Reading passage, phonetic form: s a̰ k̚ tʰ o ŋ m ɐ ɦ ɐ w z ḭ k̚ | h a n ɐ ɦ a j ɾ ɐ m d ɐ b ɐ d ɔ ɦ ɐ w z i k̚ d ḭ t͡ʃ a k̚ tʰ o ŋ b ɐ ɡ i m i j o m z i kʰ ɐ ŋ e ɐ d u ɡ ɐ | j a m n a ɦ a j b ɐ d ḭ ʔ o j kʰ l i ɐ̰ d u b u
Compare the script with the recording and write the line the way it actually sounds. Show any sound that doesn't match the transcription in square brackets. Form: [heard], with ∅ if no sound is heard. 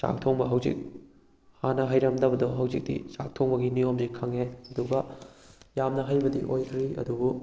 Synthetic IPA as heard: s a̰ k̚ tʰ o ŋ [b] ɐ ɦ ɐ w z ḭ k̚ | h a n ɐ ɦ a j ɾ ɐ m d ɐ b ɐ d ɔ ɦ ɐ w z i k̚ d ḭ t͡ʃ a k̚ tʰ o ŋ b ɐ ɡ i [n] i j o m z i kʰ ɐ ŋ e ɐ d u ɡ ɐ | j a m n [ɐ] ɦ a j b ɐ d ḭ ʔ o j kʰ [ɾ] i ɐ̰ d u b u